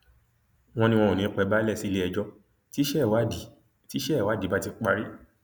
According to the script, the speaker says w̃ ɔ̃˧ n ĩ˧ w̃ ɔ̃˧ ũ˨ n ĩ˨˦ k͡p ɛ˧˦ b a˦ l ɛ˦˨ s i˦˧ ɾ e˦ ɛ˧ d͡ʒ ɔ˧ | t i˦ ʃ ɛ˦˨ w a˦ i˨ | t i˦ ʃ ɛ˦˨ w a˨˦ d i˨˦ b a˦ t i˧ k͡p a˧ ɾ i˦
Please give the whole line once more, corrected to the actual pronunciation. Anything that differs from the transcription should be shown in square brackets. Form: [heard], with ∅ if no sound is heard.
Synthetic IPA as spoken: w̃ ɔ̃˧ n ĩ˧ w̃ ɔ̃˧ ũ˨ n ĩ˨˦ k͡p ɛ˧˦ b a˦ l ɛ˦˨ s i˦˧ [l] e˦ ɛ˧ d͡ʒ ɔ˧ | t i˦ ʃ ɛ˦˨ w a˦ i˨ | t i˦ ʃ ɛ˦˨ w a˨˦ d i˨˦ b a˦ t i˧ k͡p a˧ ɾ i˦

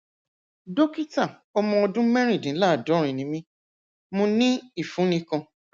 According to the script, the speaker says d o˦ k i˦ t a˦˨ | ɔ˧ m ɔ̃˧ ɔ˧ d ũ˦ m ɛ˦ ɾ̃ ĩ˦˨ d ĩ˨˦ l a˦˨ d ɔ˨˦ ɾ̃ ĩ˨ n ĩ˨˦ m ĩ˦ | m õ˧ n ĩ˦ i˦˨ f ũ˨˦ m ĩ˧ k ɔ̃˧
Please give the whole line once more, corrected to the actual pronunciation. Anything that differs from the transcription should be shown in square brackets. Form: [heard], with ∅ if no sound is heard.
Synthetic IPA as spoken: d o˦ k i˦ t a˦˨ | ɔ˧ m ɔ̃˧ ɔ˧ d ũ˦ m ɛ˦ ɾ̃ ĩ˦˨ d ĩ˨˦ l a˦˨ d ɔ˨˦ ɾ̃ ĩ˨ n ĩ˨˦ m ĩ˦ | m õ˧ n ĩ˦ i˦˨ f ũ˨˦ [n] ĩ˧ k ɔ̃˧

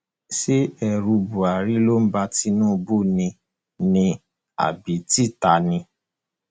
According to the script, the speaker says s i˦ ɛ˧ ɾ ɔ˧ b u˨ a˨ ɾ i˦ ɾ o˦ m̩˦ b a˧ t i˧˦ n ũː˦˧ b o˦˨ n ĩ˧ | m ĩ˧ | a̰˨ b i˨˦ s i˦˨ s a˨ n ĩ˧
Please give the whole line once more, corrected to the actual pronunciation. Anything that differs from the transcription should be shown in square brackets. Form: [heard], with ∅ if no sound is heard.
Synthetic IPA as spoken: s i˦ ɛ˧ ɾ [u˧] b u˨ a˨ ɾ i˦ [l] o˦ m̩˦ b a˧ t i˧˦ n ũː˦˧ b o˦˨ n ĩ˧ | [n] ĩ˧ | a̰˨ b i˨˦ [t] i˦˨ [t] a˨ n ĩ˧

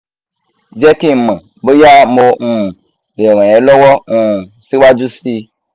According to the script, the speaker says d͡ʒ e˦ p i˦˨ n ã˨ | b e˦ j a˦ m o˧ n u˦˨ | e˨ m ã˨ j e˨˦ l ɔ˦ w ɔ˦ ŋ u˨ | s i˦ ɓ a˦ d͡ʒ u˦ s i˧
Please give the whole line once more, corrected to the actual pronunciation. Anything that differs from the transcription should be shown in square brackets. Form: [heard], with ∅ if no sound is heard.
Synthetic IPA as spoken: d͡ʒ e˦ [k] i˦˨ [m] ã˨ | b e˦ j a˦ m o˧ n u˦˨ | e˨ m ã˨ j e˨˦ l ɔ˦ w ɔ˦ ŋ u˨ | s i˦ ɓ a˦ d͡ʒ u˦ s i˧

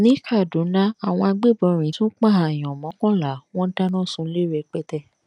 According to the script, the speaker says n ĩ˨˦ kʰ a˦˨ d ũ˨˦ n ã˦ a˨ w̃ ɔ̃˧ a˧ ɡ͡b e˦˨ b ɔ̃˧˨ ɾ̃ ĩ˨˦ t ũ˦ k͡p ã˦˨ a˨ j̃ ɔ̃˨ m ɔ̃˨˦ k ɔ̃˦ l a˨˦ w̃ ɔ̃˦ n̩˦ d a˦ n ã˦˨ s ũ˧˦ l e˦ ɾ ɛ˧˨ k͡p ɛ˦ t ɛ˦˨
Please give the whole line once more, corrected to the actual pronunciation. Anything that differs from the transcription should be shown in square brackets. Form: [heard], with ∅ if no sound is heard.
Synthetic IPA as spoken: n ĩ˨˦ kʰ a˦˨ d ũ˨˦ n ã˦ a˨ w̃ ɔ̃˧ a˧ ɡ͡b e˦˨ b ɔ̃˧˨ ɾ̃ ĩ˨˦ t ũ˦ k͡p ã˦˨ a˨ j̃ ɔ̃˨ m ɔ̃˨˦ k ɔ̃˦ l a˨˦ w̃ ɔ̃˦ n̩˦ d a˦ n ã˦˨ s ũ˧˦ l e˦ ɾ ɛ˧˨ k͡p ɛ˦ t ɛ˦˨

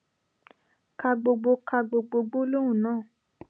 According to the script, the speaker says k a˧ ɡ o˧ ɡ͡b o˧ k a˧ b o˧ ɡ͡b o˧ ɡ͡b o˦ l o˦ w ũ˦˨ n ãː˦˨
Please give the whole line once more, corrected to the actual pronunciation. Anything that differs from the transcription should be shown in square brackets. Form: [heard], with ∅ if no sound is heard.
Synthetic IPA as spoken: k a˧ [ɡ͡b] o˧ ɡ͡b o˧ k a˧ [ɡ͡b] o˧ ɡ͡b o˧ ɡ͡b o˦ l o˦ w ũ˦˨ n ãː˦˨

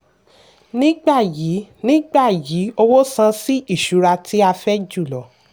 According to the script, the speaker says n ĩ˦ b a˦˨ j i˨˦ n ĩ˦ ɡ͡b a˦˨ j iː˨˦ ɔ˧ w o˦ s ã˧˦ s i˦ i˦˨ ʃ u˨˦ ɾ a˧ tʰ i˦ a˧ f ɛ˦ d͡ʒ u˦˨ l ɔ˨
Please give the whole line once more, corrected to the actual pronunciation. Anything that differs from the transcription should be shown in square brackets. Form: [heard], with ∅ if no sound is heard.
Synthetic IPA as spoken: n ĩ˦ [ɡ͡b] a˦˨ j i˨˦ n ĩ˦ ɡ͡b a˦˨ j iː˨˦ [o˧] w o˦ s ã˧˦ s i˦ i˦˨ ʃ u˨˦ ɾ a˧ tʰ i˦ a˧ f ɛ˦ d͡ʒ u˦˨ l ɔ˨

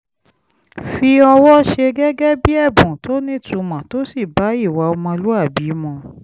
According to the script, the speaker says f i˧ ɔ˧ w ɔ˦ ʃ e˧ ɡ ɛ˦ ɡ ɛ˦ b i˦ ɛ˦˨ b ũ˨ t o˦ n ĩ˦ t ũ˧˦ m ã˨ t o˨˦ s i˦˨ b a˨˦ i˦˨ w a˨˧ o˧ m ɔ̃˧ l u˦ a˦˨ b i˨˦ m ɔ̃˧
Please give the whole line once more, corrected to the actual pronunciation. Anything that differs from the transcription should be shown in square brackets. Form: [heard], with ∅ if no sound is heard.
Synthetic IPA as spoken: f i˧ ɔ˧ w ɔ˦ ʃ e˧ ɡ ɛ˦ ɡ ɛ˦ b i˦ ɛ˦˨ b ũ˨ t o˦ n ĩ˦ t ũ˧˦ m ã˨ t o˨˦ s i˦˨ b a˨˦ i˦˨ w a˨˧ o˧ m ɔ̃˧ l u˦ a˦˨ b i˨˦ m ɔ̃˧

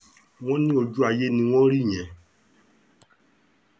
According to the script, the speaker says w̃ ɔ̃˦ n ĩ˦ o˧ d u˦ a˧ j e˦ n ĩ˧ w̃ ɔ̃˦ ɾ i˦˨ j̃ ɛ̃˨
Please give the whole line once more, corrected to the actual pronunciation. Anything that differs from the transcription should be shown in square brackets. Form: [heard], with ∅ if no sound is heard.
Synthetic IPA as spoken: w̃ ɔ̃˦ n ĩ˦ o˧ [d͡ʒ] u˦ a˧ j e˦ n ĩ˧ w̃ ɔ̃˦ ɾ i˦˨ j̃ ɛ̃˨

